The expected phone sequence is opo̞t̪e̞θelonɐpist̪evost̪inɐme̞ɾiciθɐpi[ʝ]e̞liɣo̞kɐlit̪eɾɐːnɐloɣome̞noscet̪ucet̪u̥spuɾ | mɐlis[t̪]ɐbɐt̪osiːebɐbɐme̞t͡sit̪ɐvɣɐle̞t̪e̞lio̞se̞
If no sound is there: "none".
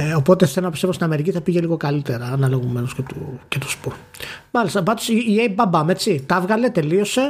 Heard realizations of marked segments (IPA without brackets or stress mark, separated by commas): ʝ, t̪